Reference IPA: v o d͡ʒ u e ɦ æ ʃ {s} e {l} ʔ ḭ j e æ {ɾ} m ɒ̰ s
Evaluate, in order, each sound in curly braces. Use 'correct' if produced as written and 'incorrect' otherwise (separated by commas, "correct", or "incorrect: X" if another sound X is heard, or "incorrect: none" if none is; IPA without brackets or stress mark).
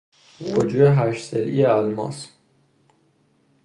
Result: correct, correct, incorrect: l